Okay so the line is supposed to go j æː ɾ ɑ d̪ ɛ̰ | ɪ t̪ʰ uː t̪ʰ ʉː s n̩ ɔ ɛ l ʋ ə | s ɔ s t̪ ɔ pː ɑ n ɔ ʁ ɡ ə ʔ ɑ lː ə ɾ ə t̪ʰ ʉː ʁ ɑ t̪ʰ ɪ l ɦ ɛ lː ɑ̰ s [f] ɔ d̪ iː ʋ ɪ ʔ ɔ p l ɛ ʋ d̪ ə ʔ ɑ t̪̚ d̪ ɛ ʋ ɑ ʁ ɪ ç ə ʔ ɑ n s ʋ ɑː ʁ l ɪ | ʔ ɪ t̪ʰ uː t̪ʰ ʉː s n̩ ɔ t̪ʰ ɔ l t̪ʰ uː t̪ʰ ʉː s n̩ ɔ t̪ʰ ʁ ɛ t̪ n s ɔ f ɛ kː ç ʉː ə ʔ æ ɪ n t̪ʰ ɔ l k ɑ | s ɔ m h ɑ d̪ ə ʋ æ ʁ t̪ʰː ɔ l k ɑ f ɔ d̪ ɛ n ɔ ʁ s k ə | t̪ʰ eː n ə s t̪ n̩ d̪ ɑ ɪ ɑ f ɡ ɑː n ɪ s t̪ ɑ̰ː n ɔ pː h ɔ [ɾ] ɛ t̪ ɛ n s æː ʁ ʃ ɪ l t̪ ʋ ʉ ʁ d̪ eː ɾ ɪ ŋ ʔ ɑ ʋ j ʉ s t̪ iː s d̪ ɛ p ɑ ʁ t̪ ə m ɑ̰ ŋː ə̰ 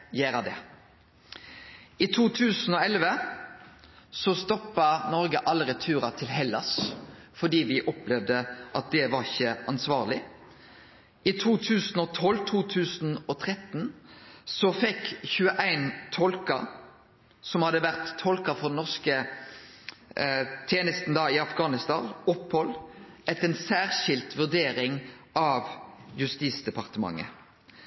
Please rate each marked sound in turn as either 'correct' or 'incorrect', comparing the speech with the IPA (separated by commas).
correct, incorrect